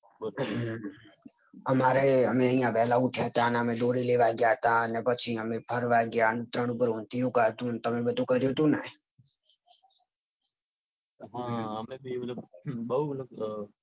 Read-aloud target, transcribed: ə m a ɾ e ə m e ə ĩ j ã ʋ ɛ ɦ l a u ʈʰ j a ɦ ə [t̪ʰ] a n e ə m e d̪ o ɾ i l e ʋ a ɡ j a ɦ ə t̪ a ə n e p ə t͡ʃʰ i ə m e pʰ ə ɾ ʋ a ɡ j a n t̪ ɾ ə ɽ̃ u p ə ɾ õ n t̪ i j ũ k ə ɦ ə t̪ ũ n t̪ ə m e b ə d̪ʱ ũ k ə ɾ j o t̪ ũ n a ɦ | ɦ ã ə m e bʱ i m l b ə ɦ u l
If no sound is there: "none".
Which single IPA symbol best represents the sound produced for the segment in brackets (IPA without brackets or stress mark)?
t̪